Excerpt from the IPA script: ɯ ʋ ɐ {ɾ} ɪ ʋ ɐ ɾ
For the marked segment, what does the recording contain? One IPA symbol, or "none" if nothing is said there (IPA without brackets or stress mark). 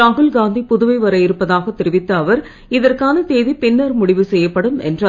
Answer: none